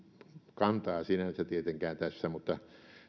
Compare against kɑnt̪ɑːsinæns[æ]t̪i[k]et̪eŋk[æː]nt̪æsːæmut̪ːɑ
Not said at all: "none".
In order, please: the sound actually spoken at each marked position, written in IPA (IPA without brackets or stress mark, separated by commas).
æ, none, æː